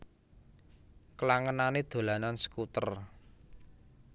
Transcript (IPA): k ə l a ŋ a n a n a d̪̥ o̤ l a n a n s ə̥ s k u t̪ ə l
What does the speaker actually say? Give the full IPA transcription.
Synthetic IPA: k ə l a ŋ ə n a n e d̪̥ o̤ l a n a n s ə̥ k u t̪ ə r